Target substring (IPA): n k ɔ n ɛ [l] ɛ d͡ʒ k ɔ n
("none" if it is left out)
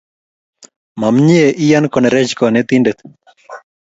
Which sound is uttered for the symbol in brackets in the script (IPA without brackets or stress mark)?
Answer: ɾ